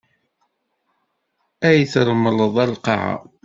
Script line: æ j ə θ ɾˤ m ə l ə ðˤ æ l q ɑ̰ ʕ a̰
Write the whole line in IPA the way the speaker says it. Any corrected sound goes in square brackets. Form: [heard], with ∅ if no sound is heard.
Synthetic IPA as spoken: æ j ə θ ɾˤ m ə l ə ðˤ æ l q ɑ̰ ʕ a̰